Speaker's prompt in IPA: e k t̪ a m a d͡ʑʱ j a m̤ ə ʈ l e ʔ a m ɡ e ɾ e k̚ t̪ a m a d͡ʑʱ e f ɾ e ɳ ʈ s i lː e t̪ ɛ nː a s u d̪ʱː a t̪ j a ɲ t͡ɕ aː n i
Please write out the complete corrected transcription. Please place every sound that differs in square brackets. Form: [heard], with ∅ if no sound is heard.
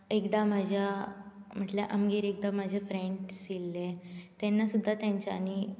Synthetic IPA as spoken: e k [d̪] a m a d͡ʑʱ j a m̤ ə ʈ l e ʔ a m ɡ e ɾ e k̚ [d̪] a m a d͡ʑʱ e f ɾ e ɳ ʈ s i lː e t̪ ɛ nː a s u d̪ʱː a t̪ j a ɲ t͡ɕ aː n i